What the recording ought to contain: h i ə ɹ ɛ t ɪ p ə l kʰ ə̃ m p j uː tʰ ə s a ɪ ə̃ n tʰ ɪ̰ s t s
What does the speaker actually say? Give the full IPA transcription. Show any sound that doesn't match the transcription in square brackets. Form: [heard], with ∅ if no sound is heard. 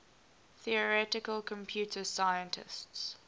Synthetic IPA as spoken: [θ] i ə ɹ ɛ t ɪ [k] ə l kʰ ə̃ m [pʰ] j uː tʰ ə s a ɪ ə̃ n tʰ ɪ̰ s t s

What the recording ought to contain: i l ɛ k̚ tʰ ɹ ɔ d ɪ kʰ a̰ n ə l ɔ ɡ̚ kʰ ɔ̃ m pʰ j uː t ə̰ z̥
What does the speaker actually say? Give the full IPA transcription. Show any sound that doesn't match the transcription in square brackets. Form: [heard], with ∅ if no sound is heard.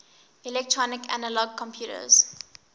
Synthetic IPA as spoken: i l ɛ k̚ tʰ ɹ ɔ [n] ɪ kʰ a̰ n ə l ɔ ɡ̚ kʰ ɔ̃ m pʰ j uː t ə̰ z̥

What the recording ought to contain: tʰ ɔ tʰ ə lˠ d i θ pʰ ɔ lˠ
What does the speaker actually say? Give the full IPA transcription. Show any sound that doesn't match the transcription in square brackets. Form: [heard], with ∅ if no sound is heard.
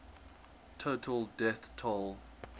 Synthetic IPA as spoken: tʰ [o] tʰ ə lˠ d [ɛ] θ [tʰ] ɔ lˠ

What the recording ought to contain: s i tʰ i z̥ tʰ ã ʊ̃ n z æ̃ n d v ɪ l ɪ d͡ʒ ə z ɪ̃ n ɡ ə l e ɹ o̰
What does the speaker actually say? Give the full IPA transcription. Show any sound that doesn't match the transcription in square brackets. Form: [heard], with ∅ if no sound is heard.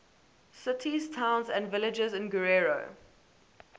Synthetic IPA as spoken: s [ɪ] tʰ i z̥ tʰ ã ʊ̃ n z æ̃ n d v ɪ l ɪ d͡ʒ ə z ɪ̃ n ɡ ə [ɹ] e ɹ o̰

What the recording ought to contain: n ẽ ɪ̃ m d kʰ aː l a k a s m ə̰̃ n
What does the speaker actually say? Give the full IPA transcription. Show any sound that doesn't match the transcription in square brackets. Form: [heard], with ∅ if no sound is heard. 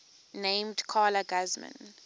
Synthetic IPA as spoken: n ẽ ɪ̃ m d kʰ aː l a [ɡ] a [z] m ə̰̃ n

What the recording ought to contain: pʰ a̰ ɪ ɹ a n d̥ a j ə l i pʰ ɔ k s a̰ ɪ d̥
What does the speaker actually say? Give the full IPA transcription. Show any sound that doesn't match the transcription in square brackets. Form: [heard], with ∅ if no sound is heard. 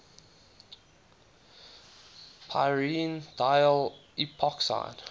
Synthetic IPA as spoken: pʰ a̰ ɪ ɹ [i] n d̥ a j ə l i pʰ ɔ k s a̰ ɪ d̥

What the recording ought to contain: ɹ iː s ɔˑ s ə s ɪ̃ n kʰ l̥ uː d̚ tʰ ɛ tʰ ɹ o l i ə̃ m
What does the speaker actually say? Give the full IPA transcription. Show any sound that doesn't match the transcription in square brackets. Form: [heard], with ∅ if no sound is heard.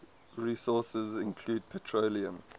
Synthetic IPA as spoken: ɹ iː s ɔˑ s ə [z] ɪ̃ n kʰ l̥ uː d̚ [pʰ] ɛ tʰ ɹ o l i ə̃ m

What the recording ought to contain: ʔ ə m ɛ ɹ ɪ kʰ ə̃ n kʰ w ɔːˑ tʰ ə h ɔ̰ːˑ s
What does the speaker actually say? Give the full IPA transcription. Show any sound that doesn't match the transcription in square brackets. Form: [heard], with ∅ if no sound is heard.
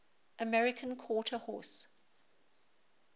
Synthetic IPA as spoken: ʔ ə m ɛ ɹ ɪ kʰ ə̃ n kʰ w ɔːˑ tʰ ə h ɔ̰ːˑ s

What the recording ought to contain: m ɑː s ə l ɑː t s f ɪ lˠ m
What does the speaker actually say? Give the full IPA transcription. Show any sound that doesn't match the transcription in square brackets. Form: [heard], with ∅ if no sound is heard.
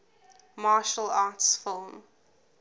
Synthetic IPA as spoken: m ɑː [ʃ] ə l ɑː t s f ɪ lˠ m

